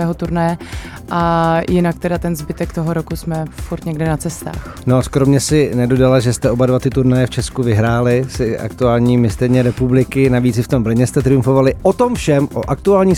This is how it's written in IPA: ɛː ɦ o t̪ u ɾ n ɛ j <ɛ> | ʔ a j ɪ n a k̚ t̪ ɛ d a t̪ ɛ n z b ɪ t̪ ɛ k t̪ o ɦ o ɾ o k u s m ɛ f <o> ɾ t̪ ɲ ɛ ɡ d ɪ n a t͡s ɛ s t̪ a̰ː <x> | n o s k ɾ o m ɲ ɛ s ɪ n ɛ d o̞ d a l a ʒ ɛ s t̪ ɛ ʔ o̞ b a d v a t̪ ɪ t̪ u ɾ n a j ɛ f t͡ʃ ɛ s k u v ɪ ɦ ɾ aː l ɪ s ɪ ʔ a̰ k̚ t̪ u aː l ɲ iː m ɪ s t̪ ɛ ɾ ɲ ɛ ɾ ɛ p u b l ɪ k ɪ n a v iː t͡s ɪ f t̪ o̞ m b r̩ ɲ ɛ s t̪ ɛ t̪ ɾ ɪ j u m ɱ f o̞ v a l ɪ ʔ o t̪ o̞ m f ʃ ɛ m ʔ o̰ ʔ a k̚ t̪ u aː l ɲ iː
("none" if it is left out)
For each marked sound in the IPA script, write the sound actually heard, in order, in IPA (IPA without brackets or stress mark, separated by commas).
ɛ, u, x